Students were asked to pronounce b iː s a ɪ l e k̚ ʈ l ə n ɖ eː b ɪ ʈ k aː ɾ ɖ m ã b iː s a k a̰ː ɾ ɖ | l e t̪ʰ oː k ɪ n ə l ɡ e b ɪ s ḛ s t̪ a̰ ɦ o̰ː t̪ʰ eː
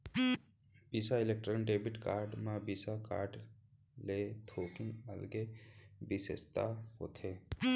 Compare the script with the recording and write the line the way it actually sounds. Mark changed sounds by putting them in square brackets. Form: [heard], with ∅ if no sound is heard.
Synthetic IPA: b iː s a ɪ l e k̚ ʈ [ɾ] ə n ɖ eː b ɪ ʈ k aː ɾ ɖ m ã b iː s a k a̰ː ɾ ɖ | l e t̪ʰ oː k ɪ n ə l ɡ e b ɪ s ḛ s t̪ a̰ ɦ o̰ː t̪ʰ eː